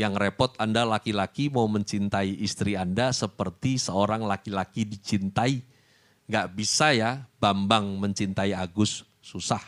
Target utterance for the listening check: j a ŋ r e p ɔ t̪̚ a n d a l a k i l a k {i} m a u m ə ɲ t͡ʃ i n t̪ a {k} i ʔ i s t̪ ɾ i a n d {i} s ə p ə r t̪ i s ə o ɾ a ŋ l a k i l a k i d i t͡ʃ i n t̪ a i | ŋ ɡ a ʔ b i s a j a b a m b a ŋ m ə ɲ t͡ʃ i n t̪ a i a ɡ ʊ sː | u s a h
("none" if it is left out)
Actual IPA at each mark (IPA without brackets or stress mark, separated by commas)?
i, none, a